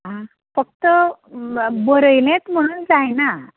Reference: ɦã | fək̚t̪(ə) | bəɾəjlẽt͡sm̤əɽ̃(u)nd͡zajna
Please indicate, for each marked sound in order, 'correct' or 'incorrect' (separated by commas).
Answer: correct, incorrect